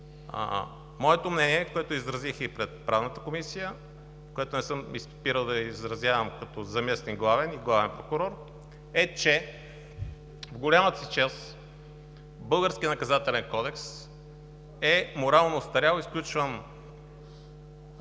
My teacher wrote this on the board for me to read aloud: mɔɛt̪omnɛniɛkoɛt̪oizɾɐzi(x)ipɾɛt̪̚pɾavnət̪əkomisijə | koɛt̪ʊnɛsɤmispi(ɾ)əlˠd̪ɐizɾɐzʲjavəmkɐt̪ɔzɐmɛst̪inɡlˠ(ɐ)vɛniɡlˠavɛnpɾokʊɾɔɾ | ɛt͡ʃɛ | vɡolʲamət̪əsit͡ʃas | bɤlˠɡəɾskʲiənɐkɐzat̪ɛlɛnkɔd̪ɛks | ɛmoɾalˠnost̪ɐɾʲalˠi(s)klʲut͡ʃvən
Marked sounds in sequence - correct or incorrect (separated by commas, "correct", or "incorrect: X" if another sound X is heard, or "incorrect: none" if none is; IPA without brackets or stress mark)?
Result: correct, correct, incorrect: a, correct